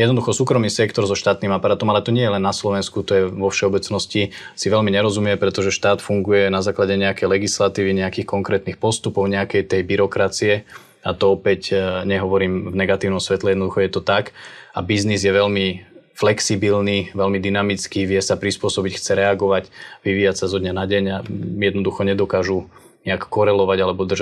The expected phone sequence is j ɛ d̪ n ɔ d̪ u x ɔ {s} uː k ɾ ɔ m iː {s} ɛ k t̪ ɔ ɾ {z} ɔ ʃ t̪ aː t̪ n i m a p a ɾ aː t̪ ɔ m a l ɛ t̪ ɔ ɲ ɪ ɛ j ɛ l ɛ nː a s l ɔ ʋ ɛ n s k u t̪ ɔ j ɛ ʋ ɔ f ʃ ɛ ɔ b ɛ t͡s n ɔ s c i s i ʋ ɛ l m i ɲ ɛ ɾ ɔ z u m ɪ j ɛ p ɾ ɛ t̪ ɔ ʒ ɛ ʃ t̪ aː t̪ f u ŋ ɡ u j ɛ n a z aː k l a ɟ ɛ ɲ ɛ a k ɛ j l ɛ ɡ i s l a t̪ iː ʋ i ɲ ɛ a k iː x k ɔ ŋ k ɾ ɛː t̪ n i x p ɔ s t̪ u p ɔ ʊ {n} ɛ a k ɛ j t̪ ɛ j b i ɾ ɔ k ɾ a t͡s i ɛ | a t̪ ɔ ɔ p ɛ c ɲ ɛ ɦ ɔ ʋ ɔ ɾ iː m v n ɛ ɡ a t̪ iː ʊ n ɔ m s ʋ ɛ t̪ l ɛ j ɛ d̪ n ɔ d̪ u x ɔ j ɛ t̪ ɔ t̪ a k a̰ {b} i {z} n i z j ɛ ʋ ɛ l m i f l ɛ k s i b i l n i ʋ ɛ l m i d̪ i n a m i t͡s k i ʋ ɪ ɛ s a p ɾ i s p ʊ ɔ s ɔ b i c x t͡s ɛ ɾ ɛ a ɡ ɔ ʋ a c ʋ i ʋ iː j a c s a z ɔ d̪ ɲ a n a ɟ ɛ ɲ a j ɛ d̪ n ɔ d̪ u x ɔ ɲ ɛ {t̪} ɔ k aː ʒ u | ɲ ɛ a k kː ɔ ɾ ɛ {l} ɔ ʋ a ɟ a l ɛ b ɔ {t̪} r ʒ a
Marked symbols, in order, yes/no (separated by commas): yes, yes, yes, no, yes, yes, no, yes, no